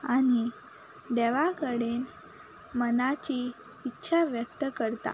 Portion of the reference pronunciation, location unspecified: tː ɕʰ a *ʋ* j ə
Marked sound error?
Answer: no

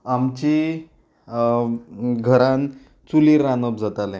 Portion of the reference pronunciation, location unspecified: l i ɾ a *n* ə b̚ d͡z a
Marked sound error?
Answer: no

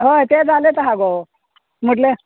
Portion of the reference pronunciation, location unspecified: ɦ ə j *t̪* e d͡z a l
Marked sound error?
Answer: no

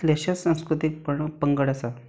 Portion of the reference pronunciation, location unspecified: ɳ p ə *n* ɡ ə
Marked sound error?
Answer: yes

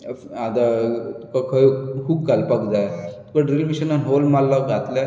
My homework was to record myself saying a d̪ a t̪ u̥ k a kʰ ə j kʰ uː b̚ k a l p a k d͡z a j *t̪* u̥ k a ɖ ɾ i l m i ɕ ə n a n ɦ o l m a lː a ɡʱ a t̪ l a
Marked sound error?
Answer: no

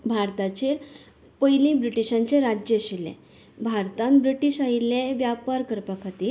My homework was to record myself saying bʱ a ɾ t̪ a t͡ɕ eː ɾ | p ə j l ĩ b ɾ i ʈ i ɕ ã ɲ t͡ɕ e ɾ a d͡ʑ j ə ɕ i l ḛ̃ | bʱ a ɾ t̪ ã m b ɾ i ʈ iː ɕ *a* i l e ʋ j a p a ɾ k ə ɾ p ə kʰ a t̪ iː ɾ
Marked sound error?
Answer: no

